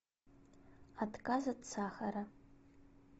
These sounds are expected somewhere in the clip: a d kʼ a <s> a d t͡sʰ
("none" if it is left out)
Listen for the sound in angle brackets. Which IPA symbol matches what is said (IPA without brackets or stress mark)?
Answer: z